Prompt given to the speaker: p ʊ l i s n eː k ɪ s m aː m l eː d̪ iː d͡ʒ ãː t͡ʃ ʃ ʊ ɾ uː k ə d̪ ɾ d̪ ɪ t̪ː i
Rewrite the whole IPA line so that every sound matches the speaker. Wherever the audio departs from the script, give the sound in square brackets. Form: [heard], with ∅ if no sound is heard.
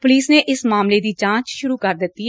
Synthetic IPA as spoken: p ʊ l [iː] s n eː [ʔ] ɪ s m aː m l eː d̪ iː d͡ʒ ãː t͡ʃ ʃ ʊ ɾ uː k ə [∅] ɾ d̪ ɪ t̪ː i